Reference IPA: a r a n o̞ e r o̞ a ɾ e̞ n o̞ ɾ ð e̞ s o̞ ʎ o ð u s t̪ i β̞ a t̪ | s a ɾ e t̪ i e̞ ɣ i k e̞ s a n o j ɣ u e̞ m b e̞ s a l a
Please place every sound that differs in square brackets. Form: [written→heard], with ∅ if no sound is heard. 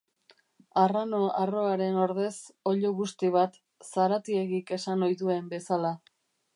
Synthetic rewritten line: a r a n o̞ [e→a] r o̞ a ɾ e̞ n o̞ ɾ ð e̞ s o̞ ʎ o [ð→ɣ] u s t̪ i β̞ a t̪ | s a ɾ [e→a] t̪ i e̞ ɣ i k e̞ s a n o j [ɣ→ð] u e̞ m b e̞ s a l a